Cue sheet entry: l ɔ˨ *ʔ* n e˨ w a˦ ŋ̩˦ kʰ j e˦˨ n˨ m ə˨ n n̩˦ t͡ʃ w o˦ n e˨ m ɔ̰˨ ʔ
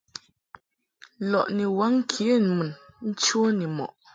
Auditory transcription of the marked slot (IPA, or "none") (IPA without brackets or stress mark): ʔ